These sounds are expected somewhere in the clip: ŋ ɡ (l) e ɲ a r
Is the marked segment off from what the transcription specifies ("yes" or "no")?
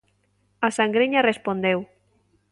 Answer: yes